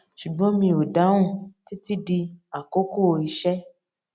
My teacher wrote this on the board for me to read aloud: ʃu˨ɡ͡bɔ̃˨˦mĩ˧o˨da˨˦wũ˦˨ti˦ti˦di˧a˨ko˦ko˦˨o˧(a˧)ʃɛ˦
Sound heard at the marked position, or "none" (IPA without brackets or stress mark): i˧